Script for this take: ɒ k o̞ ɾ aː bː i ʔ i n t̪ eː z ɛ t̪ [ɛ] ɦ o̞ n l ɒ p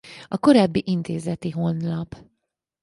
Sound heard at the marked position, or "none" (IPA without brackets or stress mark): i